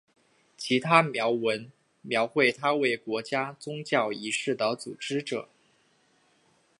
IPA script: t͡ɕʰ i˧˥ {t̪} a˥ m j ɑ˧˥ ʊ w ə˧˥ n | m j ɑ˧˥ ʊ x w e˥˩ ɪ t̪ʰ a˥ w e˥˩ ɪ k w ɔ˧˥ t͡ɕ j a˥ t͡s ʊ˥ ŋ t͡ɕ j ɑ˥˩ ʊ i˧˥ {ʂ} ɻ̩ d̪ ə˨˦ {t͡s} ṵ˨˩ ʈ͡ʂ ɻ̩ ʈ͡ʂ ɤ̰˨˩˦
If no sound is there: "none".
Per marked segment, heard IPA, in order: t̪ʰ, ʂ, t͡s

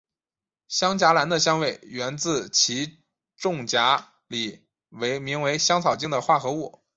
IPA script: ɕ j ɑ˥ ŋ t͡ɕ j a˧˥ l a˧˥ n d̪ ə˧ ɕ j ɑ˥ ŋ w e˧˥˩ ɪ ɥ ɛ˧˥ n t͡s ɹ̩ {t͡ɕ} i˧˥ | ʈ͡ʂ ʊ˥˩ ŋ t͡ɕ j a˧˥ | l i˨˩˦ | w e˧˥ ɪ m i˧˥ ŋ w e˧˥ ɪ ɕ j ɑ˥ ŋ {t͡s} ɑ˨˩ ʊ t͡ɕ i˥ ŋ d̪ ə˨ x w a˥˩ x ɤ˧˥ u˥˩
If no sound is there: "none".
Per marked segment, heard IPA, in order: t͡ɕʰ, t͡sʰ

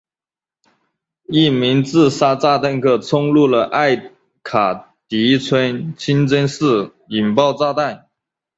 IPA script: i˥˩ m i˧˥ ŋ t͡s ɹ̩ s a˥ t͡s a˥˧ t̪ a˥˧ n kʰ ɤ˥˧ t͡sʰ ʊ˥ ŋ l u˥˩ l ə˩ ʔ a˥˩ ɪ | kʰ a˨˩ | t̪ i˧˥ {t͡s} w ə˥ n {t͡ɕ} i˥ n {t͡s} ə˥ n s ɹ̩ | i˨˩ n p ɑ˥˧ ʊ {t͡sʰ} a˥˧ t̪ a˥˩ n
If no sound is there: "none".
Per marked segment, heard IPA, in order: t͡sʰ, t͡ɕʰ, t͡s, t͡s

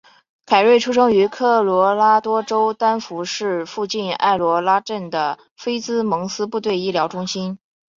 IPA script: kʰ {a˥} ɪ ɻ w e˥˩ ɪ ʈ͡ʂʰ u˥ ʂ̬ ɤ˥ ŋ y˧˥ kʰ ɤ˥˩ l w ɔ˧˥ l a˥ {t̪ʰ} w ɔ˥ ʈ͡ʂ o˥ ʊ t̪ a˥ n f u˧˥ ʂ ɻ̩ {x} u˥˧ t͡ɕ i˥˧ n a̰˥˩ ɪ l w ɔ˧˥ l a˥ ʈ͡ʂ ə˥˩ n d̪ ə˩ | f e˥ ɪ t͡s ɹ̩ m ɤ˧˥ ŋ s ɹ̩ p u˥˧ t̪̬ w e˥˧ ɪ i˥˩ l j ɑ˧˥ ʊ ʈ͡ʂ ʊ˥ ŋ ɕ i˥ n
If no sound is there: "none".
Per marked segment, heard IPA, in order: a˨˩, t̪, f

